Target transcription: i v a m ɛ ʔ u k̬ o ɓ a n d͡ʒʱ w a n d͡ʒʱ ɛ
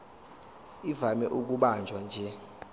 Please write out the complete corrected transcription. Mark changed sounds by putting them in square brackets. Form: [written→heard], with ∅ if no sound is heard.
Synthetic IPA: i v a m ɛ ʔ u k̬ [o→u] ɓ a n d͡ʒʱ w a n d͡ʒʱ ɛ